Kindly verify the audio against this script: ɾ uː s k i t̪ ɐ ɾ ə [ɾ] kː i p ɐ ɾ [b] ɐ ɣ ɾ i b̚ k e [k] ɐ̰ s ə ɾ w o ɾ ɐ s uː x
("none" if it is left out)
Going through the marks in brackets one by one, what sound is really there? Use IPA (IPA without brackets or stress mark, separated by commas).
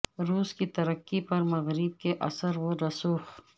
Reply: none, m, ʔ